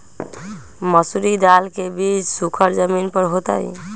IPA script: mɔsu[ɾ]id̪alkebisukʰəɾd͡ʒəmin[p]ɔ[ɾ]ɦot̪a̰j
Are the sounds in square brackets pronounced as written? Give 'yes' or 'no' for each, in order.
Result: yes, yes, yes

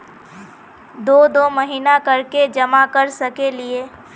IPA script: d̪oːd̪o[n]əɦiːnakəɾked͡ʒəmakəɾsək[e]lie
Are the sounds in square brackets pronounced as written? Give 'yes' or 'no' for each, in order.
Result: no, yes

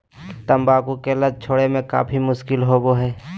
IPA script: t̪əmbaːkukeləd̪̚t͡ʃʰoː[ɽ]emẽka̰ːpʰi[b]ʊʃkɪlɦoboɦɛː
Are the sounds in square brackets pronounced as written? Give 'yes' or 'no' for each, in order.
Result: yes, no

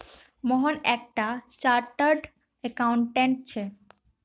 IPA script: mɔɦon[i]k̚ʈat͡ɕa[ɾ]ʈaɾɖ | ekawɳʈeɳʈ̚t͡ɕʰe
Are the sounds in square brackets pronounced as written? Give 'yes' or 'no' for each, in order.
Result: no, yes

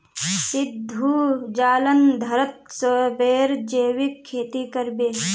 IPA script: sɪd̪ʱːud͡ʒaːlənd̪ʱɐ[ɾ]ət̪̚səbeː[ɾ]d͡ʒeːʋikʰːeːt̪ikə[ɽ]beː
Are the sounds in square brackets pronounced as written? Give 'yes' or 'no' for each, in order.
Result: yes, yes, no

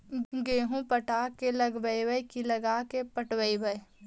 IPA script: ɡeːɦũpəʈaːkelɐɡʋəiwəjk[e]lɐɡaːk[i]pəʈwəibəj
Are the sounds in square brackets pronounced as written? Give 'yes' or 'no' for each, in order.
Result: no, no

